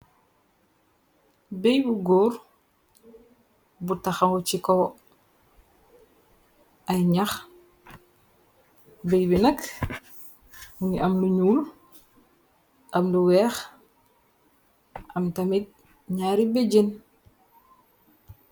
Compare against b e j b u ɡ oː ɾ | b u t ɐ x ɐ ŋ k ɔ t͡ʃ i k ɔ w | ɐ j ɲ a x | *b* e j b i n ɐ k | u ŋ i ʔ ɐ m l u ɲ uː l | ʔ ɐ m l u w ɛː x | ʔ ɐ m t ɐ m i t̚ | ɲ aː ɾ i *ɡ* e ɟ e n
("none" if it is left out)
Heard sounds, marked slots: b, b

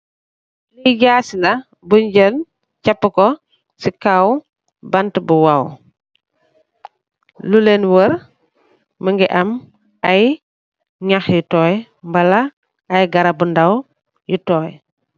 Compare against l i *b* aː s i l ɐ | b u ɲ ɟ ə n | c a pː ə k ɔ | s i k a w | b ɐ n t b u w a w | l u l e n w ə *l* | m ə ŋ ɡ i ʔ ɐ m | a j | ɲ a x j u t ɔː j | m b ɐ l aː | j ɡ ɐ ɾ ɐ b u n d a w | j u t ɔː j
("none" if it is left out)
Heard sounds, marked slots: ɟ, ɾ

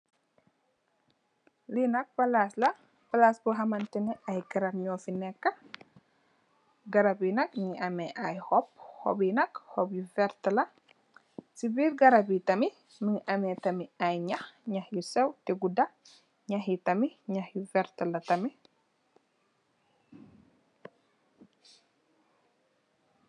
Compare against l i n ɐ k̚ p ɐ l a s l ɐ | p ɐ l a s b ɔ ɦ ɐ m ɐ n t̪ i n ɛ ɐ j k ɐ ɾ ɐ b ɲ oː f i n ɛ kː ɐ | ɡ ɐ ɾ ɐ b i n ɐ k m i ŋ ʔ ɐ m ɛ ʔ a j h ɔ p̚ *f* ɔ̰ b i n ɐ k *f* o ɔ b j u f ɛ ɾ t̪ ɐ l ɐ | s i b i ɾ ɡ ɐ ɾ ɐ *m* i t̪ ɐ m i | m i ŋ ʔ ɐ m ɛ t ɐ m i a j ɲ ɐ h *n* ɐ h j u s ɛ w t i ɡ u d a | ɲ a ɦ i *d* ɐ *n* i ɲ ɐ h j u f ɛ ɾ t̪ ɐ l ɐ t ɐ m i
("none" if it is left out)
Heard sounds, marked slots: h, h, b, ɲ, t, m

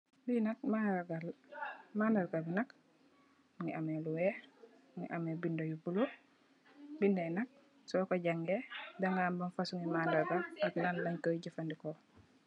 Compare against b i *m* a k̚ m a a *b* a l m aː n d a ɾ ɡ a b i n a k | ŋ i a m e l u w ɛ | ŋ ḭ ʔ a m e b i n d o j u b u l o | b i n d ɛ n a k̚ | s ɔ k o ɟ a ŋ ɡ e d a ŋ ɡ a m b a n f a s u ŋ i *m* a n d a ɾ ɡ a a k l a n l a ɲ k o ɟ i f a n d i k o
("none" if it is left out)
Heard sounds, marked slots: n, ɡ, m

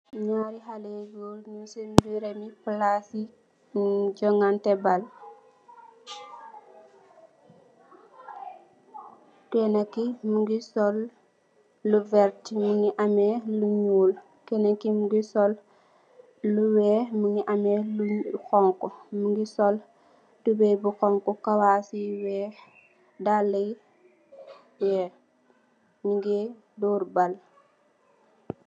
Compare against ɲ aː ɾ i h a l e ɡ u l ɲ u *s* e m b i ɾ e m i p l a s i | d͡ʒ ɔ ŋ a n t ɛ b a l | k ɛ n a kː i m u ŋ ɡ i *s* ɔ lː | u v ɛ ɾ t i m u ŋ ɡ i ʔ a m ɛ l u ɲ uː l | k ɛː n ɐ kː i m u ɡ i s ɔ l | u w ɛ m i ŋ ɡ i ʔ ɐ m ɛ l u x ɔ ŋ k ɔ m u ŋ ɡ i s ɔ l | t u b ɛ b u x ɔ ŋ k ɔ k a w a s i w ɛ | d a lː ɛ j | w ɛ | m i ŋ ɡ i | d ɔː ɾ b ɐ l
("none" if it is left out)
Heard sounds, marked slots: s, s

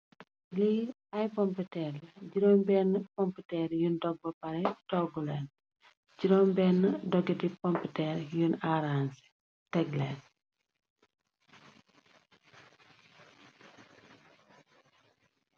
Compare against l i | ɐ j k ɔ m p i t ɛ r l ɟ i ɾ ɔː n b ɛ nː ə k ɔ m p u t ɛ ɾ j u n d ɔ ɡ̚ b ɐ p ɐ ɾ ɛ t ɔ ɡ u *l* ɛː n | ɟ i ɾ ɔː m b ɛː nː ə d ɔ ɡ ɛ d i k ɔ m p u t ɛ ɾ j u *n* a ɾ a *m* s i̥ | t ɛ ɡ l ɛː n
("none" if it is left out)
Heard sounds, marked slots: l, n, n

